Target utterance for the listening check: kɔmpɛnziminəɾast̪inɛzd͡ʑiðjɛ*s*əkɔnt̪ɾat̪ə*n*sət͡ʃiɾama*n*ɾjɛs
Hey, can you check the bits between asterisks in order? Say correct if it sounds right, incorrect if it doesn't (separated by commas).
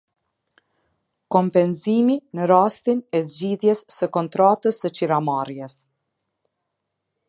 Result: incorrect, incorrect, incorrect